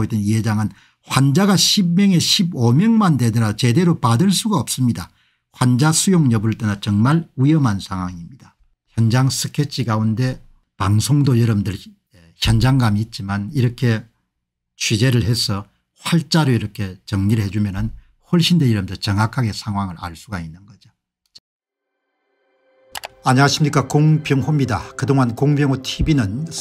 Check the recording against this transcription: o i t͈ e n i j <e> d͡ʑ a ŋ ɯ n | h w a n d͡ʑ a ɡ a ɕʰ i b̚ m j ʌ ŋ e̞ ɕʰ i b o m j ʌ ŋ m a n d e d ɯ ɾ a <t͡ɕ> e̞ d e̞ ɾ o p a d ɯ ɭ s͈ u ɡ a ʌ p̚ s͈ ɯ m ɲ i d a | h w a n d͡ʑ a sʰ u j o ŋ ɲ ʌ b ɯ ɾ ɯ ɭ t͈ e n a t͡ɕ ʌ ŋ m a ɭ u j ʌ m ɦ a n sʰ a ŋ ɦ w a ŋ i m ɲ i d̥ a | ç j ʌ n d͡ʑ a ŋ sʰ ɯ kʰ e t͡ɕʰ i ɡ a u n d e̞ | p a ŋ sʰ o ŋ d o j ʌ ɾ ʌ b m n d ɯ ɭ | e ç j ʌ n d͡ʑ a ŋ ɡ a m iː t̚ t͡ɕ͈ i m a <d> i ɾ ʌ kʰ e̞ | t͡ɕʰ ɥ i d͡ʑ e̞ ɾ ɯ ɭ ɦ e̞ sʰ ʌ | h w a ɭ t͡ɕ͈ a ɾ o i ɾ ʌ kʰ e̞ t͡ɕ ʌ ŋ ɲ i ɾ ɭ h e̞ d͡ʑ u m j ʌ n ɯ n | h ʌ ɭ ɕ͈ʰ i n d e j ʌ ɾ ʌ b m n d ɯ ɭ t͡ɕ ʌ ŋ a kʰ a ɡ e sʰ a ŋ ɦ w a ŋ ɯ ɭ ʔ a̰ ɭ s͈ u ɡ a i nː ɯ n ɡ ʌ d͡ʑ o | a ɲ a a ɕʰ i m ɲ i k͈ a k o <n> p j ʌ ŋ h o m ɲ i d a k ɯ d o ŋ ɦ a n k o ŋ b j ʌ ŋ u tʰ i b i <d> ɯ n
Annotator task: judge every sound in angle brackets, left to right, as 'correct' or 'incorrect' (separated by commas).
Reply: correct, correct, incorrect, incorrect, incorrect